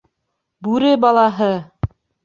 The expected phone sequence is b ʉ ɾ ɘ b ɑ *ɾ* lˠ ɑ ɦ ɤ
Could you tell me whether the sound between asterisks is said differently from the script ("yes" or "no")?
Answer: yes